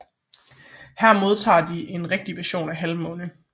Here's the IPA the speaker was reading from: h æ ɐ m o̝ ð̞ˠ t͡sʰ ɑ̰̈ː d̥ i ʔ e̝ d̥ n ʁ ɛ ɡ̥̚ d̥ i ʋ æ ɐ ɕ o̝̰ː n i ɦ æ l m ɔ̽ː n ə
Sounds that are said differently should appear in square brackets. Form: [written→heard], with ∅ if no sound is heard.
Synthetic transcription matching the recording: h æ ɐ m o̝ ð̞ˠ t͡sʰ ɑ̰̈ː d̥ i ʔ e̝ [d̥→∅] n ʁ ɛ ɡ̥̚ d̥ i ʋ æ ɐ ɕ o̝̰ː n [i→æ] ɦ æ l m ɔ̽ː n ə